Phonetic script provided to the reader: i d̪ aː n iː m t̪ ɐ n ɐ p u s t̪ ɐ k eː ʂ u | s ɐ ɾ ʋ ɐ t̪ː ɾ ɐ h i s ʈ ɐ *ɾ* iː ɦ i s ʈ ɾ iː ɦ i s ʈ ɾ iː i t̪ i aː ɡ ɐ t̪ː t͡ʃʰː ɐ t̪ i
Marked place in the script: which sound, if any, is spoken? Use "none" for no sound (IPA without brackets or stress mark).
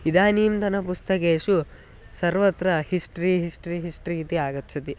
ɾ